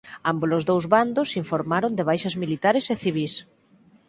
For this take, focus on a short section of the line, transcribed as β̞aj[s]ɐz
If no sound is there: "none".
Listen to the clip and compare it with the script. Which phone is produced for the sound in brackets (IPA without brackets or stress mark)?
ʃ